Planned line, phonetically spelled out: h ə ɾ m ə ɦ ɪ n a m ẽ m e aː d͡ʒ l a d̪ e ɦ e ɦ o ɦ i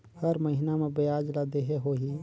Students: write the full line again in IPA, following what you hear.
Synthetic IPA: h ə ɾ m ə ɦ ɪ n a m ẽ b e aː d͡ʒ l a d̪ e ɦ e ɦ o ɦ i

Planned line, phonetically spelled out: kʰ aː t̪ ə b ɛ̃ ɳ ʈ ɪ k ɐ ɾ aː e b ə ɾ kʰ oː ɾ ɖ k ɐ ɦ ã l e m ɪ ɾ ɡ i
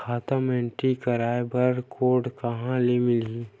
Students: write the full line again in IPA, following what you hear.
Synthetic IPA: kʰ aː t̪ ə m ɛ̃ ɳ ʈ i k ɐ ɾ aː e b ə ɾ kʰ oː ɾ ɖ k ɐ ɦ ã l e m ɪ l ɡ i

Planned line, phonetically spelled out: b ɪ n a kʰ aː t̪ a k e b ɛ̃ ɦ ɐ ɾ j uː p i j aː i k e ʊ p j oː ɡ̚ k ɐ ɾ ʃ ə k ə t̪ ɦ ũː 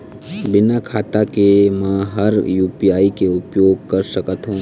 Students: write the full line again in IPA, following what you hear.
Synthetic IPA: b ɪ n a kʰ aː t̪ a k e m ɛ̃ ɦ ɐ ɾ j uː p i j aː i k e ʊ p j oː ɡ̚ k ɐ ɾ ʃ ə k ə t̪ ɦ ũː

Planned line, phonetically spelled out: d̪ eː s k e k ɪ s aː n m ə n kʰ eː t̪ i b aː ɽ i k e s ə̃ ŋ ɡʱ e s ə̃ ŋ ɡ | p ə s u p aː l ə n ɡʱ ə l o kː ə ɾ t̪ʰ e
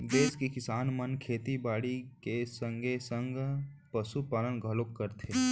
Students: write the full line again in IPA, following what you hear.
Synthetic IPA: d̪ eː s k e k ɪ s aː n m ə n kʰ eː t̪ i b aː ɽ i k e s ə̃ ŋ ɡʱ e s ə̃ ŋ ɡ | p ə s u p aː l ə n ɡʱ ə l o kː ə ɾ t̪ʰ e

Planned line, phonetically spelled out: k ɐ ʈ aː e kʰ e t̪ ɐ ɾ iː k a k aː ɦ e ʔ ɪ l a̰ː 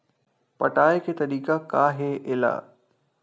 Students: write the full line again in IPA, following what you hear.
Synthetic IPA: p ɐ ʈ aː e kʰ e t̪ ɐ ɾ iː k a k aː ɦ e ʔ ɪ l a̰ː

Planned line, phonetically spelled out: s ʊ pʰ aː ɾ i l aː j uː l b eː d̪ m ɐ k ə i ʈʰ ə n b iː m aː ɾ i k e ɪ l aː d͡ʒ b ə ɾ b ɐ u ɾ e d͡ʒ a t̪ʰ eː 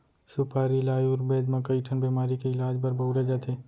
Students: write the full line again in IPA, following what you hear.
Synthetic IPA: s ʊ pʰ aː ɾ i l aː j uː ɾ b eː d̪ m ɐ k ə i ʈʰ ə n b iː m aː ɾ i k e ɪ l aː d͡ʒ b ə ɾ b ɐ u ɾ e d͡ʒ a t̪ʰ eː

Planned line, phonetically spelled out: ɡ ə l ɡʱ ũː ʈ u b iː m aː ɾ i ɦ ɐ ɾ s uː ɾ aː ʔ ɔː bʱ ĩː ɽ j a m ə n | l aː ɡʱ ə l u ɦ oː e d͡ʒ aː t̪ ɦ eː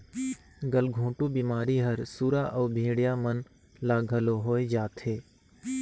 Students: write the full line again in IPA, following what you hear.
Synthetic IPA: ɡ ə l ɡʱ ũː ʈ u b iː m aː ɾ i ɦ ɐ ɾ s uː ɾ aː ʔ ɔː bʱ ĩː ɽ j a m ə n | l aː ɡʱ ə l o ɦ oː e d͡ʒ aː t̪ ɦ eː

